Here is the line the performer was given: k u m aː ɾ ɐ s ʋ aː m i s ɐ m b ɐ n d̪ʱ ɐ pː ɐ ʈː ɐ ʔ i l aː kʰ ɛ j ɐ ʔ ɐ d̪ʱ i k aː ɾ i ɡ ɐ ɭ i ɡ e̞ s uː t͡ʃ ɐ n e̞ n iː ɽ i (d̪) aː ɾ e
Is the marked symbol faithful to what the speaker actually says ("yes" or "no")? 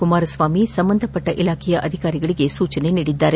no